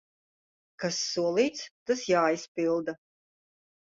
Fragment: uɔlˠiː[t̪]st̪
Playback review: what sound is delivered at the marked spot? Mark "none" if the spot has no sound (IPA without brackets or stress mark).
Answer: t̪